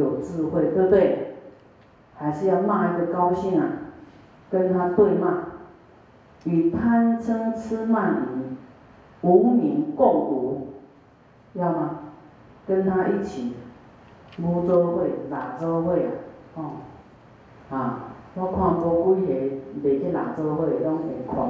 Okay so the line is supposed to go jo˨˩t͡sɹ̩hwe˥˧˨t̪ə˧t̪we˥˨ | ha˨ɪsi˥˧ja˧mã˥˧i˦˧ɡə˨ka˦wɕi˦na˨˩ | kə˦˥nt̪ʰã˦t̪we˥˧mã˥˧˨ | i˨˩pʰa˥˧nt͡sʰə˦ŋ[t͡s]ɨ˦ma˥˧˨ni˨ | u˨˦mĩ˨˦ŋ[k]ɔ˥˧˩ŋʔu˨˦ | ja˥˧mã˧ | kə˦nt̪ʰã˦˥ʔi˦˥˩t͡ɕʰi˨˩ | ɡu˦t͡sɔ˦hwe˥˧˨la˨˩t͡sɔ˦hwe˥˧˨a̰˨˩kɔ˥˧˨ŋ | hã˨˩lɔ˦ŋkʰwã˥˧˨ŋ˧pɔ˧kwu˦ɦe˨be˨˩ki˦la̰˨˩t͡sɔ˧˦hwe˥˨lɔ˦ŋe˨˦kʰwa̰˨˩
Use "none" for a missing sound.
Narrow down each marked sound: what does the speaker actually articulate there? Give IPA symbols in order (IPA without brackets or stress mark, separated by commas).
t͡sʰ, k